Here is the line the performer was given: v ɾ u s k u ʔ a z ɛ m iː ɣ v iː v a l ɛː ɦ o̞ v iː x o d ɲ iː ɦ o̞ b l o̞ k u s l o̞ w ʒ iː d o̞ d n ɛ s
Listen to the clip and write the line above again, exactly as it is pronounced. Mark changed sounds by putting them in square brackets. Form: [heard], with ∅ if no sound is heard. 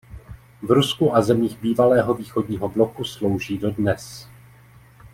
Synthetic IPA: v ɾ u s k u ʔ a z ɛ m iː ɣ [b] iː v a l ɛː ɦ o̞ v iː x o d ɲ iː ɦ o̞ b l o̞ k u s l o̞ w ʒ iː d o̞ d n ɛ s